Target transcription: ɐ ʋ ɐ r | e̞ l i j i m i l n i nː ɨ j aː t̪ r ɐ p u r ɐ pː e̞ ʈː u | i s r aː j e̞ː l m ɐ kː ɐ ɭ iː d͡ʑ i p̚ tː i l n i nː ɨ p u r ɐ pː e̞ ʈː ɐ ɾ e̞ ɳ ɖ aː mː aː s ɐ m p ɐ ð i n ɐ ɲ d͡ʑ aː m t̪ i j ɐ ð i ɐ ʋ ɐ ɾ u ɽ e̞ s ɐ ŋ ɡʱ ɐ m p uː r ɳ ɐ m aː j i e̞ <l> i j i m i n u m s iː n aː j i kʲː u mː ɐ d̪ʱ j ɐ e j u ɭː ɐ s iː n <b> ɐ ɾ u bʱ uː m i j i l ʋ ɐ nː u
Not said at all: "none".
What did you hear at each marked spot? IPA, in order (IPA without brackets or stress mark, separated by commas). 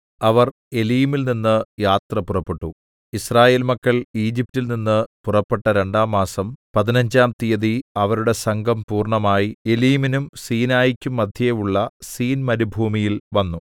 l, m